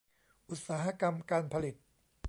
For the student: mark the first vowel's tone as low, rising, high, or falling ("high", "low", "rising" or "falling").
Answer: low